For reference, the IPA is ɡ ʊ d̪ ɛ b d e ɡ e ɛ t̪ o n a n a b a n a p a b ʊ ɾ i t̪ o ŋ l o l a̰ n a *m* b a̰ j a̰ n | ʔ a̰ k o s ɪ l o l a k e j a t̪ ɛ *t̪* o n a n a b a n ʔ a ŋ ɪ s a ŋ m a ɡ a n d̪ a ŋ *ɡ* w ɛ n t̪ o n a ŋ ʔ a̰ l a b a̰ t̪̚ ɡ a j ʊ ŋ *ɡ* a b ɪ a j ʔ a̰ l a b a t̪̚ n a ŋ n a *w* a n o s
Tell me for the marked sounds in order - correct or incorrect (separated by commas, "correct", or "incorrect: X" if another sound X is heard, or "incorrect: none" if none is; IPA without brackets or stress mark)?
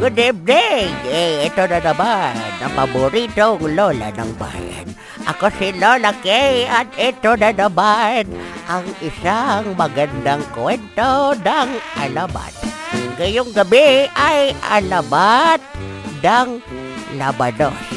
incorrect: ŋ, correct, incorrect: k, correct, incorrect: b